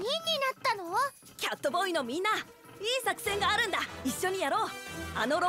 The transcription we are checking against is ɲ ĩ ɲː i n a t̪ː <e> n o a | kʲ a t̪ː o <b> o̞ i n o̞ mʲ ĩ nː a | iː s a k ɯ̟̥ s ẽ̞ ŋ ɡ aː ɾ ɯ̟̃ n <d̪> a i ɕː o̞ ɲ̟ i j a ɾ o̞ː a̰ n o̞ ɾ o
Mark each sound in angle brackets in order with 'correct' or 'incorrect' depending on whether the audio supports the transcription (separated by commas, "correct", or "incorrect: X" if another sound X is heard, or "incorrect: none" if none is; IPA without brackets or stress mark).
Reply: incorrect: a, correct, correct